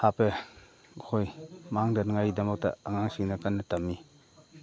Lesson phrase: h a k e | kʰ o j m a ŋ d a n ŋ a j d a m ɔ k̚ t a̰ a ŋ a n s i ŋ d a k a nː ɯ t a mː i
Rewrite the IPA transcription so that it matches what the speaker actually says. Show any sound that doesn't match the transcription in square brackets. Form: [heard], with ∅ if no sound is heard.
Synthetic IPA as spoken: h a [p] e | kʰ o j m a ŋ d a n ŋ a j d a m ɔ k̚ t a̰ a ŋ a [ŋ] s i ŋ [n] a k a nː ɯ t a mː i